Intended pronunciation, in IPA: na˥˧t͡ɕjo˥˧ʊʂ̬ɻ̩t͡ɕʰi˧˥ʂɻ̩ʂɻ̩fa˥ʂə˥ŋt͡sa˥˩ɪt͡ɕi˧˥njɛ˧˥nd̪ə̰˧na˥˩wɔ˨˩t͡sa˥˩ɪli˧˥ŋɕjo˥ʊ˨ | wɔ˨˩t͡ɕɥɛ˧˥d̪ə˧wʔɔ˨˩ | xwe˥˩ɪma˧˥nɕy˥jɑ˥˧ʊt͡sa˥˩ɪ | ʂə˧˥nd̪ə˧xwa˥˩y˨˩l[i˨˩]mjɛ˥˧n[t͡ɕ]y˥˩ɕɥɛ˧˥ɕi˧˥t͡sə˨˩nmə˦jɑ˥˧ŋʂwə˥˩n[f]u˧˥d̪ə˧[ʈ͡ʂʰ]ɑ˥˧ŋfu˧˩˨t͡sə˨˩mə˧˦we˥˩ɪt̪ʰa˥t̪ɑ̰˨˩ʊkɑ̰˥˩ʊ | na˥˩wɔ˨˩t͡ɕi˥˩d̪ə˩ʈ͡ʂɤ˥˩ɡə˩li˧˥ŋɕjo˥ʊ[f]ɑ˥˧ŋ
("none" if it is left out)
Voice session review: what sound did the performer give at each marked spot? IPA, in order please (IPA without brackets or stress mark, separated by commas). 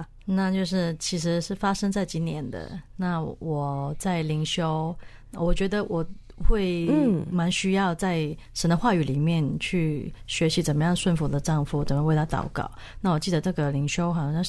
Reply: i˨˩, t͡ɕʰ, f, ʈ͡ʂ, x